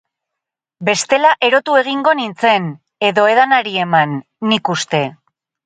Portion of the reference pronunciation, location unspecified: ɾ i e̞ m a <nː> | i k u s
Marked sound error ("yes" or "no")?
no